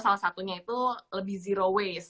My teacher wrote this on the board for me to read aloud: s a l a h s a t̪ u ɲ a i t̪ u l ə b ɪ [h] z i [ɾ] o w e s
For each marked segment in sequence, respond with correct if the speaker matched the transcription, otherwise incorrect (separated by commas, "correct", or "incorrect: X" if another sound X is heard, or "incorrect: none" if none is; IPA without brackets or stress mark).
correct, correct